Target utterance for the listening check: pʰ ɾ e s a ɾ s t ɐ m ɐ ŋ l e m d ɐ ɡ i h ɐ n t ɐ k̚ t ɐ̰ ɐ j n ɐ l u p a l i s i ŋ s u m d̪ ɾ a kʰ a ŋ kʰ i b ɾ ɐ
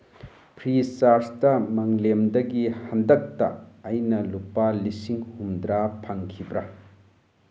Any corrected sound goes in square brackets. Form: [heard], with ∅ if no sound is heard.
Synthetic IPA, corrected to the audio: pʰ ɾ [i] s a ɾ s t ɐ m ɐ ŋ l e m d ɐ ɡ i h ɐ n [d] ɐ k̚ t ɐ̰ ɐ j n ɐ l u p a l i s i ŋ [h] u m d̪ ɾ a [pʰ] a ŋ kʰ i b ɾ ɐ

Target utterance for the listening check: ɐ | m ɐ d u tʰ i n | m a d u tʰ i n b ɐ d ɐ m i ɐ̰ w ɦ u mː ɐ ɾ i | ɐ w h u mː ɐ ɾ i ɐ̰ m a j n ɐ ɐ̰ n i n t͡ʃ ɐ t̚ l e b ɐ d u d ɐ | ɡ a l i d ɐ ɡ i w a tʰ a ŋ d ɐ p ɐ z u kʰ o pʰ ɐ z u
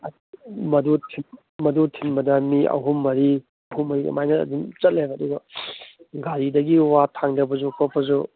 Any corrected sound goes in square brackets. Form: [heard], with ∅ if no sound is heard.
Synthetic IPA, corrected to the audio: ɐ | m ɐ d u tʰ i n | m [ɐ] d u tʰ i n b ɐ d ɐ m i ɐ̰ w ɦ u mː ɐ ɾ i | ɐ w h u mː ɐ ɾ i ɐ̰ m a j n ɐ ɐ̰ [d] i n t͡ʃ ɐ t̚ l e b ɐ d u [ɡ] ɐ | ɡ a [ɾ] i d ɐ ɡ i w a tʰ a ŋ d ɐ [b] ɐ z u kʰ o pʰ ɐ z u

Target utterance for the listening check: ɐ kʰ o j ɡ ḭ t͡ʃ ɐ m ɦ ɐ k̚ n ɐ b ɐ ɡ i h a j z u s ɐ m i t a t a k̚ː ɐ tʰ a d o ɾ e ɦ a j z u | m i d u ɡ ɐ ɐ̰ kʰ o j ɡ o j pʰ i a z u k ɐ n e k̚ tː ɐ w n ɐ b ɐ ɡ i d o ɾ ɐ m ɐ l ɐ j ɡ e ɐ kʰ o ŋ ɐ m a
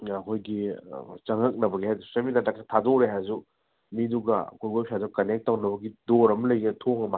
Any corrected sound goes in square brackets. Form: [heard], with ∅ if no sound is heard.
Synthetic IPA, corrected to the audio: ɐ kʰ o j ɡ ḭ t͡ʃ ɐ [ŋ] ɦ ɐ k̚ n ɐ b ɐ ɡ i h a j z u s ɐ m i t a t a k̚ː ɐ tʰ a d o ɾ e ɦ a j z u | m i d u ɡ ɐ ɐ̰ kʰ o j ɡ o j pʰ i a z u k ɐ n e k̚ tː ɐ w n ɐ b ɐ ɡ i d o ɾ ɐ m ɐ l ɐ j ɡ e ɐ [tʰ] o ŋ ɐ m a

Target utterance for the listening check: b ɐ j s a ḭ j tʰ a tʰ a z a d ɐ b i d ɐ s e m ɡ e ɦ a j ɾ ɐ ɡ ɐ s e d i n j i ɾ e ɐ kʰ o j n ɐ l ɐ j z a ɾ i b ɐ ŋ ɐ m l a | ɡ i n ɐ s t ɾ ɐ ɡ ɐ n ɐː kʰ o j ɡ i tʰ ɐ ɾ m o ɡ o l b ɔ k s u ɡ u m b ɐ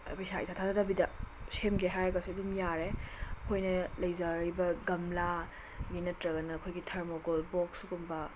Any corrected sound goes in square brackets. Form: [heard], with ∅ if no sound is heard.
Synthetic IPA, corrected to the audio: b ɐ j s a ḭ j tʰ a tʰ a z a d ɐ b i d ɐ s e m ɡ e ɦ a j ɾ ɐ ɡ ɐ s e d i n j [a] ɾ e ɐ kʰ o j n ɐ l ɐ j z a ɾ i b ɐ [ɡ] ɐ m l a | ɡ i n ɐ [∅] t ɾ ɐ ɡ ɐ n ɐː kʰ o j ɡ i tʰ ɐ ɾ m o ɡ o l b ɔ k s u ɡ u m b ɐ

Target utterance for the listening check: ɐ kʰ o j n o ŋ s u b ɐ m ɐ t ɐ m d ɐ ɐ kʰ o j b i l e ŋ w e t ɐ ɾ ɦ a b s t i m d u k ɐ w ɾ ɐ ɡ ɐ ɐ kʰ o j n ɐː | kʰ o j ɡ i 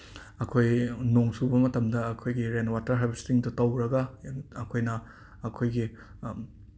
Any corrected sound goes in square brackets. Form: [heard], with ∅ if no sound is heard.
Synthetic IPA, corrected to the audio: ɐ kʰ o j n o ŋ s u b ɐ m ɐ t ɐ m d ɐ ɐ kʰ o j [ɡ] i [ɾ] e [n] w [a] t ɐ ɾ ɦ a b s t i [ŋ] d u [t] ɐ w ɾ ɐ ɡ ɐ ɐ kʰ o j n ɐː | kʰ o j ɡ i

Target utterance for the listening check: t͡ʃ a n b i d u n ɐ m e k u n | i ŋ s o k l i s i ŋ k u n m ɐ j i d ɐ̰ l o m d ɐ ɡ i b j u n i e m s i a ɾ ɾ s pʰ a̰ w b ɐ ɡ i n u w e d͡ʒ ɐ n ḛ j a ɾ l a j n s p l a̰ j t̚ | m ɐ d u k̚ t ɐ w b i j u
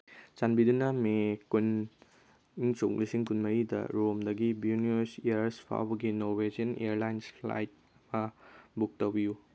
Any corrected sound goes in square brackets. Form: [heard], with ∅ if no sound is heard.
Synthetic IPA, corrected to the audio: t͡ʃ a n b i d u n ɐ m e k u n | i ŋ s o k l i s i ŋ k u n m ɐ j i d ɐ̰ [ɾ] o m d ɐ ɡ i b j u n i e [∅] s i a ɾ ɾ s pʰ a̰ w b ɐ ɡ i n [o] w e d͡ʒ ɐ n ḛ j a ɾ l a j n s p l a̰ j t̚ | m ɐ [b] u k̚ t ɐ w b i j u

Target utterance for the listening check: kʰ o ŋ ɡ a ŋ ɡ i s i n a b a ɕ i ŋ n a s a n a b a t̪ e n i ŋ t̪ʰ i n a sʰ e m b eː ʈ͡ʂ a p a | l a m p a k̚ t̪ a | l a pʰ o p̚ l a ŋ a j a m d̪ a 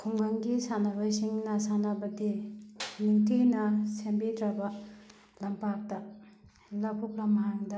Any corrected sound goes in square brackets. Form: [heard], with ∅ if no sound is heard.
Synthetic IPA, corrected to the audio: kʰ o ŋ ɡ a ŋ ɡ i s [a] n a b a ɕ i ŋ n a s a n a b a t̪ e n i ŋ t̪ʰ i n a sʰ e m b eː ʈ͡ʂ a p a | l a m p a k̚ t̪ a | l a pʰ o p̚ l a [m] a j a [ŋ] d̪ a

